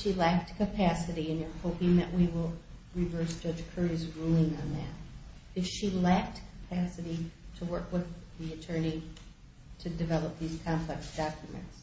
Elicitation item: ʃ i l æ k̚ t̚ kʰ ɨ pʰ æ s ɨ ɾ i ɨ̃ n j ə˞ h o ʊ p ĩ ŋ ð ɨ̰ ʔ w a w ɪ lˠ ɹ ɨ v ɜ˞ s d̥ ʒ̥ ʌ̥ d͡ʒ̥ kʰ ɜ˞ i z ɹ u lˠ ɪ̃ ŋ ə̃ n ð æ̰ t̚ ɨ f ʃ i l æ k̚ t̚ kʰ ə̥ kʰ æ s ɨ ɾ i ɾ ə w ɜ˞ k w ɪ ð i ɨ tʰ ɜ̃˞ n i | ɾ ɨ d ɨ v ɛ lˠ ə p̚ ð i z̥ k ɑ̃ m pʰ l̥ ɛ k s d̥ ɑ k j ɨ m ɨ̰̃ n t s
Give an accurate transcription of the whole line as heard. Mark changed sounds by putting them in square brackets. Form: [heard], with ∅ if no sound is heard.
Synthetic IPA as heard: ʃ i l æ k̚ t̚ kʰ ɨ pʰ æ s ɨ ɾ i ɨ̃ n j ə˞ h o ʊ p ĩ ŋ ð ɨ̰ ʔ w [i] w ɪ lˠ ɹ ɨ v ɜ˞ s d̥ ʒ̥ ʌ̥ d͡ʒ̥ kʰ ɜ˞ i z ɹ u lˠ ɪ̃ ŋ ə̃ n ð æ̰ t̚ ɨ f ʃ i l æ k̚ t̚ kʰ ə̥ [pʰ] æ s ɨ ɾ i ɾ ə w ɜ˞ k w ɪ ð i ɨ tʰ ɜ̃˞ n i | ɾ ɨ d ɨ v ɛ lˠ ə p̚ ð i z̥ [kʰ] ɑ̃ m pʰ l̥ ɛ k s d̥ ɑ k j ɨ m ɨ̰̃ n t s